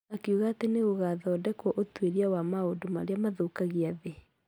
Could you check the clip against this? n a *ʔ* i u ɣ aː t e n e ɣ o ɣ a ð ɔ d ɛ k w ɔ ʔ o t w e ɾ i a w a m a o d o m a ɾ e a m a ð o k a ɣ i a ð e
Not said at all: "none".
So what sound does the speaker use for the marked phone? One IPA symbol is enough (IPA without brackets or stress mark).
k